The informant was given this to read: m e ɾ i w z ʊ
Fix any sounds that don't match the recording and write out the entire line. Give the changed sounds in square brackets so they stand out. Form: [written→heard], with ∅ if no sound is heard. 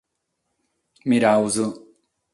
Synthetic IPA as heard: m [e→i] ɾ [i→a] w z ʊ

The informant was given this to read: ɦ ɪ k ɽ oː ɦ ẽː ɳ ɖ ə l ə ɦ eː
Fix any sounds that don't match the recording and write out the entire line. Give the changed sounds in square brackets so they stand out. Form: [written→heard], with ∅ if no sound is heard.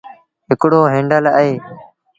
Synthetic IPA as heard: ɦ ɪ k ɽ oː ɦ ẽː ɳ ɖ ə l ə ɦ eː

